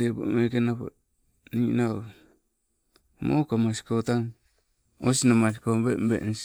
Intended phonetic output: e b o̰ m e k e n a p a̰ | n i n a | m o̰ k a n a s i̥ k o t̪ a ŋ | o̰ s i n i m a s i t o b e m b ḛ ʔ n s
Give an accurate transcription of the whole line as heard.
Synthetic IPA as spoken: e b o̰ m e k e n a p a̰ | n i n a | m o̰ k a m a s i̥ k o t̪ a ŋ | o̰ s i n a m a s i k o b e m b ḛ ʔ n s